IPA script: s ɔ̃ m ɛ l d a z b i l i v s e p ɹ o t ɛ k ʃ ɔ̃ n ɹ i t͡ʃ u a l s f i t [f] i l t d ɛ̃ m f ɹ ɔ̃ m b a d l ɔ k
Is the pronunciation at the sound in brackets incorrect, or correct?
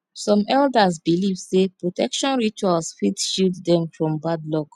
incorrect: ʃ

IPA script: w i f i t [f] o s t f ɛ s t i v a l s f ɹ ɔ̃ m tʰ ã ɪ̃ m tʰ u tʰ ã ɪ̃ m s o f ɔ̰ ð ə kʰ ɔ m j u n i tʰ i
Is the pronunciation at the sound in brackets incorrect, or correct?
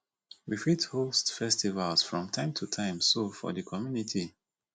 incorrect: h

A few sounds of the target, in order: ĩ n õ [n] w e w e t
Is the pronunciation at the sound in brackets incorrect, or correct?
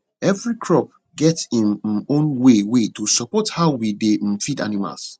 correct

